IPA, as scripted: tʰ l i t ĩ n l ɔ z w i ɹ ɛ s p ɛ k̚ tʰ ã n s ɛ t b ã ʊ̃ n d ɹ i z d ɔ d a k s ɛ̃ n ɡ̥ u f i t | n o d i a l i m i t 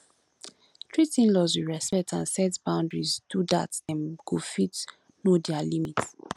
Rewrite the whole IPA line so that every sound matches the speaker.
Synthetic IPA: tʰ ɹ i t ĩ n l ɔ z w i ɹ ɛ s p ɛ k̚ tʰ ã n s ɛ t b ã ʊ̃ n d ɹ i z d u d a t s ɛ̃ n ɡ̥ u f i t | n o d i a l i m i t